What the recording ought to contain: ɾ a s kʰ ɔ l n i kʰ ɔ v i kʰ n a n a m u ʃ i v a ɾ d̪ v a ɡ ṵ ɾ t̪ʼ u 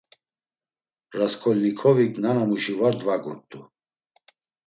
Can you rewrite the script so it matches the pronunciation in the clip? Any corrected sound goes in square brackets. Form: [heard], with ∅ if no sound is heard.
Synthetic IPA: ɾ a s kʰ ɔ l n i kʰ ɔ v i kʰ n a n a m u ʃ i v a ɾ d̪ v a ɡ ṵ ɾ t̪ʼ u